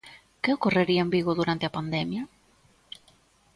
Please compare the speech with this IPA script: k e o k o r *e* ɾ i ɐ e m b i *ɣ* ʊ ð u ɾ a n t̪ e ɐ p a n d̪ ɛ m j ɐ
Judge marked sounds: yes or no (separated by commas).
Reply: yes, yes